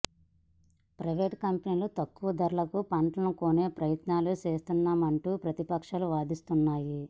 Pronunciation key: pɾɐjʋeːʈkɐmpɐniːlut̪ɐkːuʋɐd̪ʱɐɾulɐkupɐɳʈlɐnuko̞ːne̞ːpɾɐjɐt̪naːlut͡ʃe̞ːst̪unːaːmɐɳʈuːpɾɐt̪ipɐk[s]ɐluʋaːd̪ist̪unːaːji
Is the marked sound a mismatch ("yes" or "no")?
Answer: yes